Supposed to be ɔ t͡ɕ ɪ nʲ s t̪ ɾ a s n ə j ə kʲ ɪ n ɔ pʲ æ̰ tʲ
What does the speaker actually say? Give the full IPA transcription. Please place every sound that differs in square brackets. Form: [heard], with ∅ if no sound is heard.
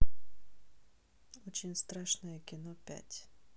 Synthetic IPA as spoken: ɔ t͡ɕ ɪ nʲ s t̪ ɾ a [ʂ] n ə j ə kʲ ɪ n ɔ pʲ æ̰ tʲ